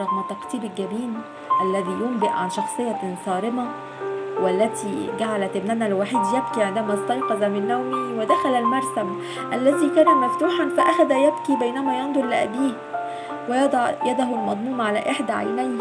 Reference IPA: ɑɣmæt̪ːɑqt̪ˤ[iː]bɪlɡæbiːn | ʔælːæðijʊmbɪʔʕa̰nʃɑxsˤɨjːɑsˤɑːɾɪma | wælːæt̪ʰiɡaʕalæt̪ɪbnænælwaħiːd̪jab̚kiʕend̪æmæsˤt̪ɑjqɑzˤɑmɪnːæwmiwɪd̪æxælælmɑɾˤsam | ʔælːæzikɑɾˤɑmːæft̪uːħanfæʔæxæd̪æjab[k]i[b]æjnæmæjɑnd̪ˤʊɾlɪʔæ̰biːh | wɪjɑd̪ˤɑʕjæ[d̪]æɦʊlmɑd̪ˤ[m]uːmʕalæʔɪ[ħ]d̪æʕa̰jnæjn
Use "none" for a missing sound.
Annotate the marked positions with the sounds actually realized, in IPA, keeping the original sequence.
iː, k, b, d̪, m, ħ

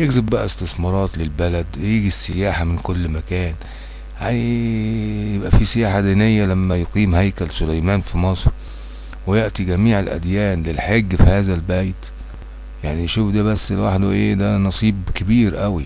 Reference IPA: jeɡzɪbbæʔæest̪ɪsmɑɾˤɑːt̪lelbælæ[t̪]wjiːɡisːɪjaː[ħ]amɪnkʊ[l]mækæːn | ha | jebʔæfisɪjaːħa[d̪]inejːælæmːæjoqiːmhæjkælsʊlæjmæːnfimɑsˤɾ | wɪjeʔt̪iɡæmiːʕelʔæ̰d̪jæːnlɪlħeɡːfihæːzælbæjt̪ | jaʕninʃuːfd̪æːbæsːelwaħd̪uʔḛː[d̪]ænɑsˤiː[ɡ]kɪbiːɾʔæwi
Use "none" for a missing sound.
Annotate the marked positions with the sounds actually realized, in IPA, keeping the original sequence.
d̪, ħ, lː, d̪, d̪, b

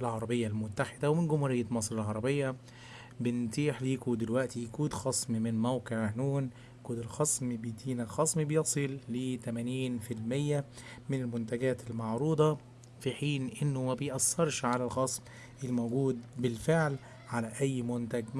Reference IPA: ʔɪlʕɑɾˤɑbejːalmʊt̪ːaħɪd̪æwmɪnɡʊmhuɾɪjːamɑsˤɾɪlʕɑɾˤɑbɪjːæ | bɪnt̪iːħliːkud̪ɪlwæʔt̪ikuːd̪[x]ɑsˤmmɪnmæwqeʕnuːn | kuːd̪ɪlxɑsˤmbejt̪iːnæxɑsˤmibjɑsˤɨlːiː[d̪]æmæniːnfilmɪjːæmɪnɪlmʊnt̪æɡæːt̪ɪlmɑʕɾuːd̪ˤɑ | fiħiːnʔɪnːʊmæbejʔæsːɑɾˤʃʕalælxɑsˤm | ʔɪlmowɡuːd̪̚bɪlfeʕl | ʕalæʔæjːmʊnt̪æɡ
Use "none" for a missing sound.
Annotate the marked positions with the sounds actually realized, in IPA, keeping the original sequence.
x, t̪

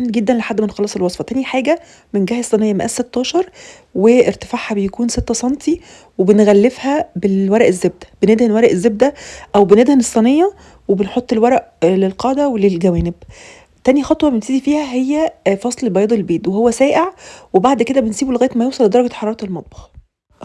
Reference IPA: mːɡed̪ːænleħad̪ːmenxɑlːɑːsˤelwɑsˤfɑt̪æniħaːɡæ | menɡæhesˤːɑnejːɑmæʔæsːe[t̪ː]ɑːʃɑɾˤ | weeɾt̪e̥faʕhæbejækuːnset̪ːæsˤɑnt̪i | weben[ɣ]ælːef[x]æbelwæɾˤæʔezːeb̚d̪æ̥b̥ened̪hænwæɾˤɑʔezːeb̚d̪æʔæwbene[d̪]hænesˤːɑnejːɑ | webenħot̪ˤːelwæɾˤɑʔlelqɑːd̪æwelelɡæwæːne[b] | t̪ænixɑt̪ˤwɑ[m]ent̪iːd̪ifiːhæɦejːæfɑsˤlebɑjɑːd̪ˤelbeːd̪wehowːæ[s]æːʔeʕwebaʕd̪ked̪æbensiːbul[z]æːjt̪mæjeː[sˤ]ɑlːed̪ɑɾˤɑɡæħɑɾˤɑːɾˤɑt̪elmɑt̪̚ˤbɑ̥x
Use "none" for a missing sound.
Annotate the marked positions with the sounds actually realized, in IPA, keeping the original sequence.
t̪ː, ɣ, h, d̪, b, b, s, ɣ, sˤ

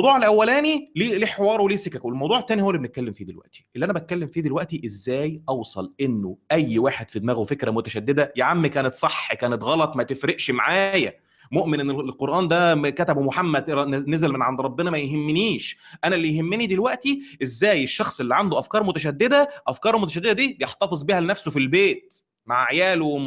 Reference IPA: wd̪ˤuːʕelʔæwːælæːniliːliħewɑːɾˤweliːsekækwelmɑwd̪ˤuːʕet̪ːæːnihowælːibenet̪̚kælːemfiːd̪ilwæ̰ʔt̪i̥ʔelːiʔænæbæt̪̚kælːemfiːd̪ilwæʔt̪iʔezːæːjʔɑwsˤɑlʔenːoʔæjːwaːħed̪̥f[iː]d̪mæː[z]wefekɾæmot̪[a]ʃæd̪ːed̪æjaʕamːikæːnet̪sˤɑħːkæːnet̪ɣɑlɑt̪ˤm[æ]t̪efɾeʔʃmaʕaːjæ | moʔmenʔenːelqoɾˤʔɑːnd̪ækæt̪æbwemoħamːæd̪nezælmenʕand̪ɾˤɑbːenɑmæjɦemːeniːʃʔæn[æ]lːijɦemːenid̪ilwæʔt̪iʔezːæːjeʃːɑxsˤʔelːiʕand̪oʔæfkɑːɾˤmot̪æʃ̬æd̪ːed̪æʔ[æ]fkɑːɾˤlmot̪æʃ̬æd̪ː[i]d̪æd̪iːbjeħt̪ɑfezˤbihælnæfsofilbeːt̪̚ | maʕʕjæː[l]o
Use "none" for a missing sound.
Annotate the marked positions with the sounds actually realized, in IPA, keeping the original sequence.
i, ɣ, æ, æ, æ, æ, e, l

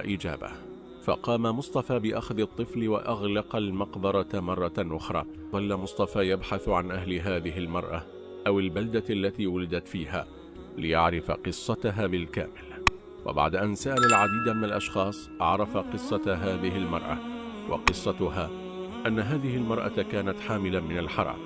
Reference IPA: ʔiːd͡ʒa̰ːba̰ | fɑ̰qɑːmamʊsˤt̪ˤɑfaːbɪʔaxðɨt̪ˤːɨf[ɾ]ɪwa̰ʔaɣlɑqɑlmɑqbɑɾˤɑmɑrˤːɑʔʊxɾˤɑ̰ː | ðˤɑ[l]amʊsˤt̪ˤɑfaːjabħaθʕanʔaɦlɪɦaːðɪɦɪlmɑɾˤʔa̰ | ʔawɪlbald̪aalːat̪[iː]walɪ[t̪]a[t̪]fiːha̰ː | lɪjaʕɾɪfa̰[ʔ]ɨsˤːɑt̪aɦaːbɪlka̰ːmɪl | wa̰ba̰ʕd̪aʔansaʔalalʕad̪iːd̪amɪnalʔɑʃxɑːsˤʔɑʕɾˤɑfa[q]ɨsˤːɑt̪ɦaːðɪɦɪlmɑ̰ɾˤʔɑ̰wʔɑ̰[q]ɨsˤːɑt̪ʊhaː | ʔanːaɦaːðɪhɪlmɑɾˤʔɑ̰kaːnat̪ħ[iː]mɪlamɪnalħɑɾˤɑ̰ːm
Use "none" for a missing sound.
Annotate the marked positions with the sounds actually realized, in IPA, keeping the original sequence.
l, lː, iː, d̪, t̪, q, q, q, aː

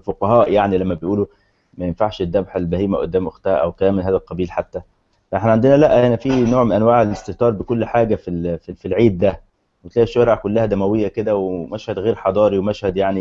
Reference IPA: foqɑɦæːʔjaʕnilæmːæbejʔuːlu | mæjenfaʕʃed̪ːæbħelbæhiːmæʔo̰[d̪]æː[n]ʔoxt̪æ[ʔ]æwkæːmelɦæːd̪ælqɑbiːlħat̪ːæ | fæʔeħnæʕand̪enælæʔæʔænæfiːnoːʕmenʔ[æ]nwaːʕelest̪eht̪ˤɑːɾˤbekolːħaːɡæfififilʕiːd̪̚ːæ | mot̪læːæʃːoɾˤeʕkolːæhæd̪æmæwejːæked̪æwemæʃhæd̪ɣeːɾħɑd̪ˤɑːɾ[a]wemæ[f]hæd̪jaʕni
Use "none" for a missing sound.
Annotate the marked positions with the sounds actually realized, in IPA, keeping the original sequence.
d̪ː, m, ʔ, æ, i, ʃ

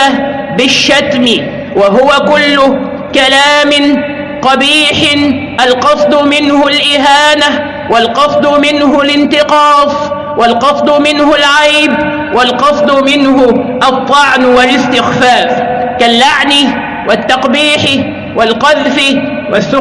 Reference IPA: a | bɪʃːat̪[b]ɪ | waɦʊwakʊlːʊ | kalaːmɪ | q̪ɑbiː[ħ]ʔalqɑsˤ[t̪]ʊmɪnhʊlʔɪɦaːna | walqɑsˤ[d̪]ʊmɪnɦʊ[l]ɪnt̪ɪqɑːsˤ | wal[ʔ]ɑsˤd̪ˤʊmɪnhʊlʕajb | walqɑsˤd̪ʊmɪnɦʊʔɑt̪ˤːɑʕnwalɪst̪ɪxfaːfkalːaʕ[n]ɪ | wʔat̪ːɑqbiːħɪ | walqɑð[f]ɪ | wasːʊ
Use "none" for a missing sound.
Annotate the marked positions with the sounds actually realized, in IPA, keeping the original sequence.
m, ħ, d̪, d̪, l, q, n, f

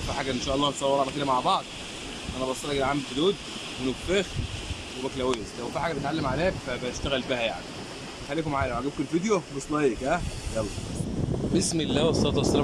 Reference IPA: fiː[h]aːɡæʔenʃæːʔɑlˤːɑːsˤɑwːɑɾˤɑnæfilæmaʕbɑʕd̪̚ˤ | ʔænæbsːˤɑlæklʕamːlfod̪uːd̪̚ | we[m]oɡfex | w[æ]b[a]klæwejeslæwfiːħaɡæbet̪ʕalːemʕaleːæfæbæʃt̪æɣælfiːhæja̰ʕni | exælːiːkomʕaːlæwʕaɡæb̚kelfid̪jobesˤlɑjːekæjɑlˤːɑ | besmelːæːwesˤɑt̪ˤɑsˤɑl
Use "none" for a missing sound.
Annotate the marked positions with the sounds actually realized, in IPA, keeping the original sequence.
ħ, n, e, æ

